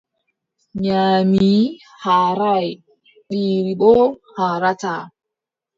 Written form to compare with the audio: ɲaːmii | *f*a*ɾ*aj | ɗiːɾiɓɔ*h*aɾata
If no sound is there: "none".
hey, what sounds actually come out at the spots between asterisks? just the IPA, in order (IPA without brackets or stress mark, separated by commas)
h, ɾ, h